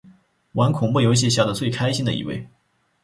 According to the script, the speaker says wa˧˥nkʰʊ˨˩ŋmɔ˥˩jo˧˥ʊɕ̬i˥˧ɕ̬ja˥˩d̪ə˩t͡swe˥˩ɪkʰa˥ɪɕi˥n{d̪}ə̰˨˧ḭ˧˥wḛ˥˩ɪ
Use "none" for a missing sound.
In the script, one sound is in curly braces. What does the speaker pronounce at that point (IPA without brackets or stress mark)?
d̪